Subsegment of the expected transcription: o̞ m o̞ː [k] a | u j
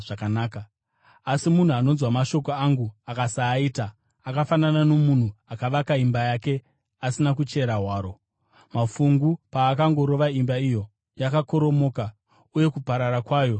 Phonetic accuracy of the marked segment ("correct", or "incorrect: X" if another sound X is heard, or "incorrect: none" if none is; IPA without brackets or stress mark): correct